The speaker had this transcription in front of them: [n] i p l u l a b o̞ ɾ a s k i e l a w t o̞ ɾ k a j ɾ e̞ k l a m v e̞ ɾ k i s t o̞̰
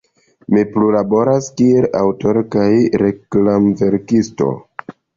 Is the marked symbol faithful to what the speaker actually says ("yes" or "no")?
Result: no